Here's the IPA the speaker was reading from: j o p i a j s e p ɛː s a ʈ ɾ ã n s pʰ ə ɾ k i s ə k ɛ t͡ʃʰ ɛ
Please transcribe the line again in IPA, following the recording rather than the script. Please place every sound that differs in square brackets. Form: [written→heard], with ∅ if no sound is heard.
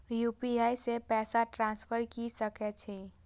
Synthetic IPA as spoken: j [o→u] p i a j s e p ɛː s a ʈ ɾ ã n s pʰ ə ɾ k i s ə k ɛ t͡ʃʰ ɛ